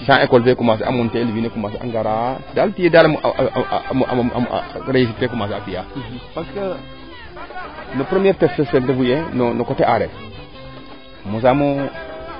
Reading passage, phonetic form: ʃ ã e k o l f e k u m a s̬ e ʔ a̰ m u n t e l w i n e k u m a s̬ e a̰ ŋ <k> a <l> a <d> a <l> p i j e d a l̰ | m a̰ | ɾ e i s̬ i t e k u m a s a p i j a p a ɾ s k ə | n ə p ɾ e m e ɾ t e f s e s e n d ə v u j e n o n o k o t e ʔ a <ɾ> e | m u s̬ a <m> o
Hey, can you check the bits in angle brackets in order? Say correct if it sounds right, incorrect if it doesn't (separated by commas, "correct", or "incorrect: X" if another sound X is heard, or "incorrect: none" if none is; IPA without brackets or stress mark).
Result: incorrect: ɡ, incorrect: ɾ, correct, correct, correct, correct